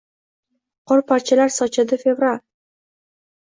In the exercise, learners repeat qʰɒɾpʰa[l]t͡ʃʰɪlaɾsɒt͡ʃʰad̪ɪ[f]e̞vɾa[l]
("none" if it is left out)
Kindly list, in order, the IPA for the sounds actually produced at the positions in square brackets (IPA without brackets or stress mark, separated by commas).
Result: ɾ, f, l